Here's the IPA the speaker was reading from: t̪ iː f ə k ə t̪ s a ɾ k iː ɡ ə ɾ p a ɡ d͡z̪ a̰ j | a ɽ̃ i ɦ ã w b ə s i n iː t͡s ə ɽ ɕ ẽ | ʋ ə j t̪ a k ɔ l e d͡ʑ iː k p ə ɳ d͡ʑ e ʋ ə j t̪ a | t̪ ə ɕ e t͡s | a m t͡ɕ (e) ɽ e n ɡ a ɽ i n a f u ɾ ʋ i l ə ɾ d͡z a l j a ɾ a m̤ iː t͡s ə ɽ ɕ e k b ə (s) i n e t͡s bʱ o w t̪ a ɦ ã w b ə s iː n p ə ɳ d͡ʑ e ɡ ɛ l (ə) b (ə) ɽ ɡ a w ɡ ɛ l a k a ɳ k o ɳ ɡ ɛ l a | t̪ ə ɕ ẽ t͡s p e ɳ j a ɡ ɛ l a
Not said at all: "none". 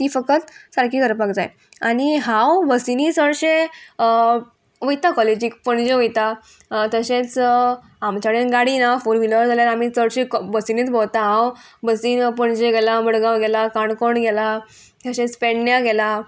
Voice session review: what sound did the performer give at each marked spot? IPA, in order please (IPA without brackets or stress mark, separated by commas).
a, s, a, ə